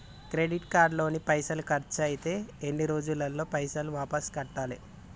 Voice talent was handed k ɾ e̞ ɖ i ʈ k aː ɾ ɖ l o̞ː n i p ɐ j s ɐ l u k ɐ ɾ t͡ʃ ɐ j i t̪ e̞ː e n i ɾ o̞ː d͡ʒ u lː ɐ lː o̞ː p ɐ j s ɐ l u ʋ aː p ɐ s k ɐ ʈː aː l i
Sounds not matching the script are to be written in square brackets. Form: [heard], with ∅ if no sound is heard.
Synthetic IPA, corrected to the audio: k ɾ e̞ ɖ i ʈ k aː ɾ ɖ l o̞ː n i p ɐ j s ɐ l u k ɐ ɾ t͡ʃ ɐ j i t̪ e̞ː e [nː] i ɾ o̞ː d͡ʒ u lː ɐ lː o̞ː p ɐ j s ɐ l u ʋ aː p ɐ s k ɐ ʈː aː l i

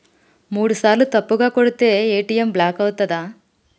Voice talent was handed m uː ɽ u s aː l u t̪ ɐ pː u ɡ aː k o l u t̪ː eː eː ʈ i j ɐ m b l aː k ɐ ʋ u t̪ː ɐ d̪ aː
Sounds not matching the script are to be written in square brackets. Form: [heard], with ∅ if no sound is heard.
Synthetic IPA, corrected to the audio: m uː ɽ u s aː l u t̪ ɐ pː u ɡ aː k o [ɽ] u t̪ː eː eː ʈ i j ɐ m b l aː k ɐ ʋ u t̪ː ɐ d̪ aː

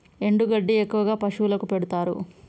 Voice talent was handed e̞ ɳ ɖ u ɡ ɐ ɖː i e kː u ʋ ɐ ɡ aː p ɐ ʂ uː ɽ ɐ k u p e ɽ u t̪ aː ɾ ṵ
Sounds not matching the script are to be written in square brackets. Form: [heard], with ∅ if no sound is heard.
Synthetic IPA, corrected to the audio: e̞ ɳ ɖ u ɡ ɐ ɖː i e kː u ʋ ɐ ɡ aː p ɐ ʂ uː [l] ɐ k u p e ɽ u t̪ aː ɾ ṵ

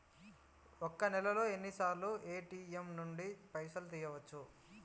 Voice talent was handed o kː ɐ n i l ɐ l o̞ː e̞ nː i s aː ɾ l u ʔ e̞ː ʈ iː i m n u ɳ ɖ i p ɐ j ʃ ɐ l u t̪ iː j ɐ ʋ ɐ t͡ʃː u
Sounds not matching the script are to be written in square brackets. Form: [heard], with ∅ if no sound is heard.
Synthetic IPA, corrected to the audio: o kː ɐ n [ɛ] l ɐ l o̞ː e̞ nː i s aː ɾ l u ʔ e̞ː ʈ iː [e] m n u ɳ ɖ i p ɐ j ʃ ɐ l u t̪ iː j ɐ ʋ ɐ t͡ʃː u

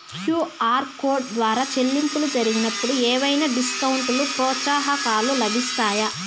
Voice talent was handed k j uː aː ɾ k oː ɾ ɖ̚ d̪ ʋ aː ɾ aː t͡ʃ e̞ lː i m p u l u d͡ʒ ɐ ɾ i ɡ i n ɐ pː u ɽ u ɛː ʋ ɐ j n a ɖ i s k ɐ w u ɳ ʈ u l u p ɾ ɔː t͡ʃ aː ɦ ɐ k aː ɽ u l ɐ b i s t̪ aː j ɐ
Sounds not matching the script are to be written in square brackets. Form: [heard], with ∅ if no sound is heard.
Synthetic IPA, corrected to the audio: k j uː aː ɾ k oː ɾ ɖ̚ d̪ ʋ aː ɾ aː t͡ʃ e̞ lː i m p u l u d͡ʒ ɐ ɾ i ɡ i n ɐ pː u ɽ u ɛː ʋ ɐ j n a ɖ i s k ɐ w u ɳ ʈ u l u p ɾ ɔː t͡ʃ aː ɦ ɐ k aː [l] u l ɐ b i s t̪ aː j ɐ

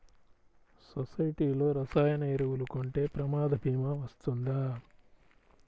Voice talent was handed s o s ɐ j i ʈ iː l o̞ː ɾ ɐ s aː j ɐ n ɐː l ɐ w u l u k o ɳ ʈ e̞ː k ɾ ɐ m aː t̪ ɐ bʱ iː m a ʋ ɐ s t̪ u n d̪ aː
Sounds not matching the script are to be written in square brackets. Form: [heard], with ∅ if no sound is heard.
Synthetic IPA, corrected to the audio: s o s ɐ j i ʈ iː l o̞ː ɾ ɐ s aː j ɐ n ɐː [ɾ] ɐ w u l u k o ɳ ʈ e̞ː [p] ɾ ɐ m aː [d̪] ɐ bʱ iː m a ʋ ɐ s t̪ u n d̪ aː

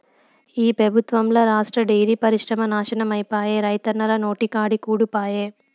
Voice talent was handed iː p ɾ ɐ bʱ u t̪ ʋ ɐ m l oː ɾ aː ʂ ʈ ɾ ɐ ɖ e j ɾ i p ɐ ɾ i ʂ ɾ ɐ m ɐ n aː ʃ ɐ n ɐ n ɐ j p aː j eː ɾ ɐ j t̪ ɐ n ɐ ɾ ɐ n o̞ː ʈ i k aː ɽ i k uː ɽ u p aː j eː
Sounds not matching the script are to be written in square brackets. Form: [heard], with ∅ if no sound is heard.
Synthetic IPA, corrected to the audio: iː p ɾ ɐ bʱ u t̪ ʋ ɐ m l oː ɾ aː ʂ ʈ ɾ ɐ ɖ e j ɾ i p ɐ ɾ i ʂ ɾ ɐ m ɐ n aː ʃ ɐ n ɐ [m] ɐ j p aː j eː ɾ ɐ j t̪ ɐ n ɐ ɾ ɐ n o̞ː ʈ i k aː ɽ i k uː ɽ u p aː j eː

